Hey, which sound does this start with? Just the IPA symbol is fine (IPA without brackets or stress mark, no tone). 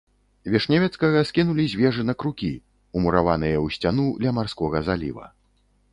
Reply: vʲ